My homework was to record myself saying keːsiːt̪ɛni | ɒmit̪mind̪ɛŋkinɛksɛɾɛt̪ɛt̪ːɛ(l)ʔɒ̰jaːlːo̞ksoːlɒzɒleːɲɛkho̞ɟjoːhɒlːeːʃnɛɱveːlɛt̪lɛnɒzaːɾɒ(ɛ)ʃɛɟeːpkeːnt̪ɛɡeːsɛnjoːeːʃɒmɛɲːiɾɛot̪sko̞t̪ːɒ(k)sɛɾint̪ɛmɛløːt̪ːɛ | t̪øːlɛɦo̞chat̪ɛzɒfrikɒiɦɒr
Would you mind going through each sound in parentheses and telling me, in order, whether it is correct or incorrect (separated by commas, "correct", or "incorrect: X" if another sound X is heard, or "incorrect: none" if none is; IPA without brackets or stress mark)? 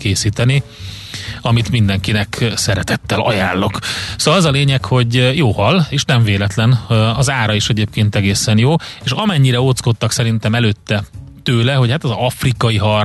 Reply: correct, incorrect: i, correct